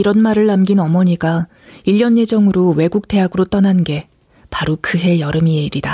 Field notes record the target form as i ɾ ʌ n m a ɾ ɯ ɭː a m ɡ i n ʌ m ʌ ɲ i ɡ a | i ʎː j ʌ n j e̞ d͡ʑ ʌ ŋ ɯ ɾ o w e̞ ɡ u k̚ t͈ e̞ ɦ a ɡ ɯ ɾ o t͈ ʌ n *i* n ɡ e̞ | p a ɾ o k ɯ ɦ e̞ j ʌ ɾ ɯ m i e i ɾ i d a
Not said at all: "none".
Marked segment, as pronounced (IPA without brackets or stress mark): a